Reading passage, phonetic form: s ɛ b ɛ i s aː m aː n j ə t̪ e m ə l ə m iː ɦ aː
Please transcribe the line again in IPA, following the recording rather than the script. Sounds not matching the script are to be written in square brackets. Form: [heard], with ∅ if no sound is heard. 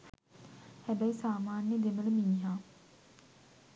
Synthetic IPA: [h] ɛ b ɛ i s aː m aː n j ə [d̪] e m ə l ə m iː ɦ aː

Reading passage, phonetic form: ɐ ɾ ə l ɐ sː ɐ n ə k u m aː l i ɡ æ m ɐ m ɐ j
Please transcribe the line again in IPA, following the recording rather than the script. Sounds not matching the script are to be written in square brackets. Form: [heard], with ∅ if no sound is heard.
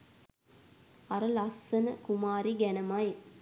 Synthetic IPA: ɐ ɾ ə l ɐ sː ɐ n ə k u m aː [ɾ] i ɡ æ [n] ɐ m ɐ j

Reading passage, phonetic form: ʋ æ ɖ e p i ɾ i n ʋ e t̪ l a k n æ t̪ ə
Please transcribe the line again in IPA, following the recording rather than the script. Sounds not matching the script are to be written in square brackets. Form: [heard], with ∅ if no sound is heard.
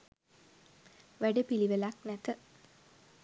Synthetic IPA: ʋ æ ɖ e p i [l] i [∅] ʋ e [∅] l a k n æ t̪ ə

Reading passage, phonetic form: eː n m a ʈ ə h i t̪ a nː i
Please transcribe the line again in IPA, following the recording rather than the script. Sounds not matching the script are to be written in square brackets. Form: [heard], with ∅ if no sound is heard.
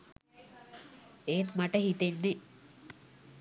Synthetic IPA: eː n m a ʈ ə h i t̪ [e] nː [e]

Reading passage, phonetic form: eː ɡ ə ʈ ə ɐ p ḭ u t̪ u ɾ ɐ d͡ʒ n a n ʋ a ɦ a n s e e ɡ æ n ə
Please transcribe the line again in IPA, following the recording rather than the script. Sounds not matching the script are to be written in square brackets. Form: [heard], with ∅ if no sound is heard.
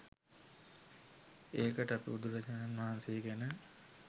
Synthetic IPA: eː [k] ə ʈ ə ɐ p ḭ u [d̪] u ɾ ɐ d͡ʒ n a n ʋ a ɦ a n s e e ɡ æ n ə

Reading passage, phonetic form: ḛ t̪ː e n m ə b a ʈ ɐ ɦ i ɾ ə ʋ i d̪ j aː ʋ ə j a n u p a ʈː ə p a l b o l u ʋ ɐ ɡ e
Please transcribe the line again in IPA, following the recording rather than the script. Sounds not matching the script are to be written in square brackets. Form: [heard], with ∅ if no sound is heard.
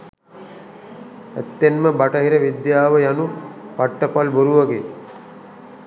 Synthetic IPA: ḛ t̪ː e n m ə b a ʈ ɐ ɦ i ɾ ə ʋ i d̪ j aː ʋ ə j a n u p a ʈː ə p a l b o [ɾ] u ʋ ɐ ɡ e

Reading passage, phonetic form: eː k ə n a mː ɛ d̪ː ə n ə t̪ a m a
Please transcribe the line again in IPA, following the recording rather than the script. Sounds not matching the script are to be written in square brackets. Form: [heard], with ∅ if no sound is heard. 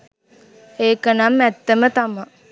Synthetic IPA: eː k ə n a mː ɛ [t̪ː] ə [m] ə t̪ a m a

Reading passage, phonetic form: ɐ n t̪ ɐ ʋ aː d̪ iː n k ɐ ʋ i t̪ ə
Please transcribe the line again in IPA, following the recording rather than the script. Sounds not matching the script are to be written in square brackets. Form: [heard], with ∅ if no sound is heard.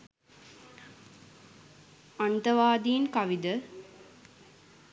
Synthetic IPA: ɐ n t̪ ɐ ʋ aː d̪ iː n k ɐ ʋ i [d̪] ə

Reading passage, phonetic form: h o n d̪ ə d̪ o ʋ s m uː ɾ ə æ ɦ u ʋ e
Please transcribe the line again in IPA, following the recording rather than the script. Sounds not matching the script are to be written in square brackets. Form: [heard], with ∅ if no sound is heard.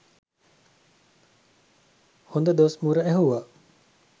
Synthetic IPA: h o n d̪ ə d̪ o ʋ s m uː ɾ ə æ ɦ u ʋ [a]

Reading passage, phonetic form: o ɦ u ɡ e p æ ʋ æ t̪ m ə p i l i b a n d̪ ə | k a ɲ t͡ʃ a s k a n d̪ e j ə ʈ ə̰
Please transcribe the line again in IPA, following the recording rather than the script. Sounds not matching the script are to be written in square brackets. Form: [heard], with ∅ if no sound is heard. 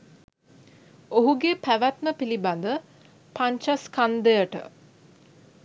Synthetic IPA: o ɦ u ɡ e p æ ʋ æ t̪ m ə p i l i b a n d̪ ə | [p] a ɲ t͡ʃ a s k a n d̪ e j ə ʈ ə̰

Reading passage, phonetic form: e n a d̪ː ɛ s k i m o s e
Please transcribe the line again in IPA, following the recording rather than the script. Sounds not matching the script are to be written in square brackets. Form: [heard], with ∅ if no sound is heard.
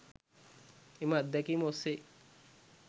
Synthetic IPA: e [m] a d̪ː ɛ [∅] k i m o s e

